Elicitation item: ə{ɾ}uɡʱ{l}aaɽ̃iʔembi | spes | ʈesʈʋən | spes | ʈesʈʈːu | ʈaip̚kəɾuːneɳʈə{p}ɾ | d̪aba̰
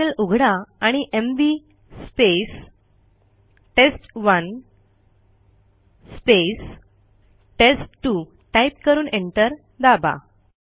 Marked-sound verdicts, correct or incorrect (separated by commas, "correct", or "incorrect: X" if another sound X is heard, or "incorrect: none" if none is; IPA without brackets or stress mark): incorrect: l, incorrect: ɽ, incorrect: none